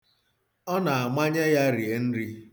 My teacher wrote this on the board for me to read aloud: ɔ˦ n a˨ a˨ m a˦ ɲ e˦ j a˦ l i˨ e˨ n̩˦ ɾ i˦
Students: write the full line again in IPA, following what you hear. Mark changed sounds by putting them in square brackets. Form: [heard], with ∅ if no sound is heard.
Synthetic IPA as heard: ɔ˦ n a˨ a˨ m a˦ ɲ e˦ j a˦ [ɾ] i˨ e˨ n̩˦ ɾ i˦